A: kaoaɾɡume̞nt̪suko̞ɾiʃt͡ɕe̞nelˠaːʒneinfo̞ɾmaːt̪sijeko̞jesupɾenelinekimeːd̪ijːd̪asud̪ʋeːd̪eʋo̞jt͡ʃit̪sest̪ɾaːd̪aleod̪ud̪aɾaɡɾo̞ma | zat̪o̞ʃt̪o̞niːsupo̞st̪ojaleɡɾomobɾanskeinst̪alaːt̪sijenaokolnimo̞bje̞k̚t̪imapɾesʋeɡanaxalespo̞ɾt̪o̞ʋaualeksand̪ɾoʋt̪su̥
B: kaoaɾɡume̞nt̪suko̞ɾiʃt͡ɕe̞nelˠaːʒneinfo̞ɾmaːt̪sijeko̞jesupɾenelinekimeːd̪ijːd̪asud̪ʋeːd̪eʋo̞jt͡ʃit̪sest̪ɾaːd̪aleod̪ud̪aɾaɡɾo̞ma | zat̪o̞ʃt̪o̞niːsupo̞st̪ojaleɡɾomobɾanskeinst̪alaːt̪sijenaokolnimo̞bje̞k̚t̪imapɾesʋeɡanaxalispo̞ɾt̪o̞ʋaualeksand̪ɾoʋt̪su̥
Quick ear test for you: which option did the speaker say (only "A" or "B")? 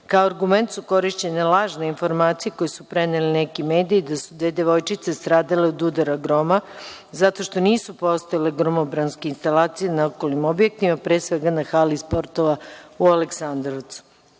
B